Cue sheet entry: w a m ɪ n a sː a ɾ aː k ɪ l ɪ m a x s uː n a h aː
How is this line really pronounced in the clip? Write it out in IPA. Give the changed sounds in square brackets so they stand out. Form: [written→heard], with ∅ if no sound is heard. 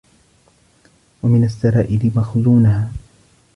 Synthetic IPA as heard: w a m ɪ n a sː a ɾ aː [k→ʔ] ɪ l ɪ m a x [s→z] uː n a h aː